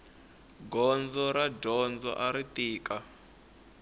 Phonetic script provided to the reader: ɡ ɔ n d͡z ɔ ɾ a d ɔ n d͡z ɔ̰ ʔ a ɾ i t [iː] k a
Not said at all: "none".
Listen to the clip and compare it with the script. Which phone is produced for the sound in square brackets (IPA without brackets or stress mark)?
iː